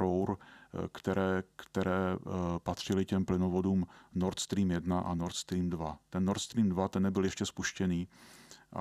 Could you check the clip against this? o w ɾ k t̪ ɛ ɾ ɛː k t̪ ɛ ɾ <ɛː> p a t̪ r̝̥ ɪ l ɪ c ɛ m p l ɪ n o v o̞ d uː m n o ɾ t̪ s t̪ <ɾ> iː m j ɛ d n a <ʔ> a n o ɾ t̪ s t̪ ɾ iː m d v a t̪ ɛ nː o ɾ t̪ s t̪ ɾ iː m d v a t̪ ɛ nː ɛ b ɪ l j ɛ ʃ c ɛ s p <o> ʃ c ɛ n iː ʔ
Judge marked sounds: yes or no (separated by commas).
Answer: yes, yes, yes, no